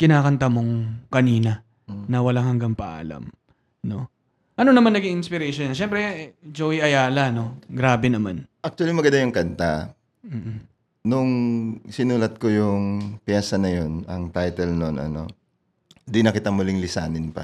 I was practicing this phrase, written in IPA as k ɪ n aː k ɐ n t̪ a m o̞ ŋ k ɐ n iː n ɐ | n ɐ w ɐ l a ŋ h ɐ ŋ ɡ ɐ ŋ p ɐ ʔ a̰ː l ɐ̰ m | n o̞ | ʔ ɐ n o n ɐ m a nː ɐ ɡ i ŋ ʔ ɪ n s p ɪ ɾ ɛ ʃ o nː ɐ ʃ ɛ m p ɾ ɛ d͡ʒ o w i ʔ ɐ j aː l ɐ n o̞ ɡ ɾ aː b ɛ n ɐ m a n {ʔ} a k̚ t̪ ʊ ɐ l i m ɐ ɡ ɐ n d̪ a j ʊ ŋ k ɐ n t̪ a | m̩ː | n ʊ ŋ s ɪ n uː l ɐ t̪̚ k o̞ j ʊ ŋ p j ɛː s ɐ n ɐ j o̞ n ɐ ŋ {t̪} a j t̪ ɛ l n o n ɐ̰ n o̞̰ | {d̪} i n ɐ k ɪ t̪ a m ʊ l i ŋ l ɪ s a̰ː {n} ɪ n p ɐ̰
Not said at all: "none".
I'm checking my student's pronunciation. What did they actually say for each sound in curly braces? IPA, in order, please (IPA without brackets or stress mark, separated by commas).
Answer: ʔ, t̪, d̪, n